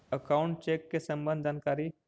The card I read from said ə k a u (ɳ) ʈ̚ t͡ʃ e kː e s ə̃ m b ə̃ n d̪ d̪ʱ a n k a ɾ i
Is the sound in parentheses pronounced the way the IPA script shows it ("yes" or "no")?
yes